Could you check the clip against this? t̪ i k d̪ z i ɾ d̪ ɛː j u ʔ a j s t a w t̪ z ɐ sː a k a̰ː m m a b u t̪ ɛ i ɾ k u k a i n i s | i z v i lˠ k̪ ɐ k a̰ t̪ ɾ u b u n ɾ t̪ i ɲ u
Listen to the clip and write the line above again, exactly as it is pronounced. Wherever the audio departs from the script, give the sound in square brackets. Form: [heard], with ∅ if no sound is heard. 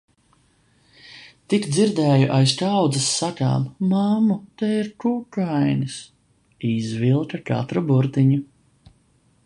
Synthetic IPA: t̪ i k d̪ z i ɾ d̪ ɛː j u ʔ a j s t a w [d̪] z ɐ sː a k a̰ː m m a [m] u t̪ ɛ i ɾ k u k a [j] n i s | i z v i lˠ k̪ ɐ k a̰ t̪ ɾ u b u [∅] ɾ t̪ i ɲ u